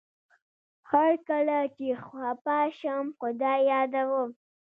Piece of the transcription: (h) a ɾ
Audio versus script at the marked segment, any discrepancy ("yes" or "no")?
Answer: no